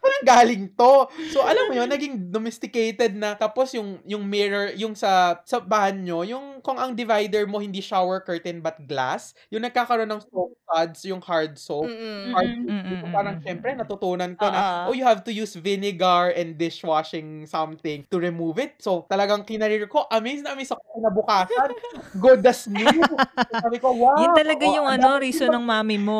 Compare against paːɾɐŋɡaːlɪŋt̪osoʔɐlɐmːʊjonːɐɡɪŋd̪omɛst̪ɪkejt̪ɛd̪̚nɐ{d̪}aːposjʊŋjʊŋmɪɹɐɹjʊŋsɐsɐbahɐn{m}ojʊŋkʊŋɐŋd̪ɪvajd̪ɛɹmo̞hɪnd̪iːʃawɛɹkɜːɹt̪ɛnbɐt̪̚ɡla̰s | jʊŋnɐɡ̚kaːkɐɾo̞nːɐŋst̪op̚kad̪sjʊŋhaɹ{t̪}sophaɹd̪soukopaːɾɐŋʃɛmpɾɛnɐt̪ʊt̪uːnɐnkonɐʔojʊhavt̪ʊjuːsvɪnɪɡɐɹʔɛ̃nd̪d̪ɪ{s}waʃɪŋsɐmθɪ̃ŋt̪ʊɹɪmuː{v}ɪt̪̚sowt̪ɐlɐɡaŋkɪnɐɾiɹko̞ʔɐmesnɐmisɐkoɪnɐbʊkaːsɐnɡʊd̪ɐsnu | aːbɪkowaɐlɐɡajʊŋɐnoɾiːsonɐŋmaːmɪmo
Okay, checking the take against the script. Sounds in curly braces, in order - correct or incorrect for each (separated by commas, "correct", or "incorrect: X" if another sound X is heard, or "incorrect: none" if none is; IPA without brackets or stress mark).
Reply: incorrect: t̪, incorrect: ɲ, incorrect: d̪, incorrect: ʃ, correct